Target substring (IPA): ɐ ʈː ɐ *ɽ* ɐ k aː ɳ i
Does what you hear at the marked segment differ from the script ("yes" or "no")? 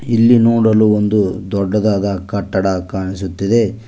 no